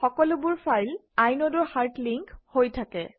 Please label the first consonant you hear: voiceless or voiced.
voiceless